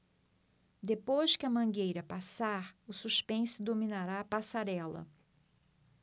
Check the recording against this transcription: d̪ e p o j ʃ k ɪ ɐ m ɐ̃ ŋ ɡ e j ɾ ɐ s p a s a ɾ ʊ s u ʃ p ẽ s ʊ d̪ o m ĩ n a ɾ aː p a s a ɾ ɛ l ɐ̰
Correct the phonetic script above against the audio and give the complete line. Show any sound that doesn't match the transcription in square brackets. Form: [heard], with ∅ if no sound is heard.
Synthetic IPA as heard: d̪ e p o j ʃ k ɪ ɐ m ɐ̃ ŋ ɡ e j ɾ ɐ [∅] p a s a ɾ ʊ s u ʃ p ẽ s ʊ d̪ o m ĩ n a ɾ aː p a s a ɾ ɛ l ɐ̰